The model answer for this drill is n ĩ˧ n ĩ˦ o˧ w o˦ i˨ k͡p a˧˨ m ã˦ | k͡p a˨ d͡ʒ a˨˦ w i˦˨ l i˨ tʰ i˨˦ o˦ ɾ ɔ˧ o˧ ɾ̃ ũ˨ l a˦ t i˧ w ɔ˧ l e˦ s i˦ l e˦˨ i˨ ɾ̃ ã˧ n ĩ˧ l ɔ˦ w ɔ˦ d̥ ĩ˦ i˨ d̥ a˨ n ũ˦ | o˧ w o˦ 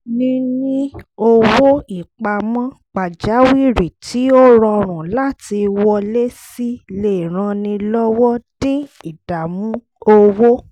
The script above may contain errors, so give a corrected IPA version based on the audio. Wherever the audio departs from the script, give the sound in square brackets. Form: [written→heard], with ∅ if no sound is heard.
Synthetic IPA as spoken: n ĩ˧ n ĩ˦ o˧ w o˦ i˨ k͡p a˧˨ m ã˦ | k͡p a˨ d͡ʒ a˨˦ w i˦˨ [l→ɾ] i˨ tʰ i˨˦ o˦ ɾ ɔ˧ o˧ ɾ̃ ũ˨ l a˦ t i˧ w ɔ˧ l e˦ s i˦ l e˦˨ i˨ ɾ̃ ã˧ n ĩ˧ l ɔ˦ w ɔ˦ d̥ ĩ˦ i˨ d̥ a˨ [n→m] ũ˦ | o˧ w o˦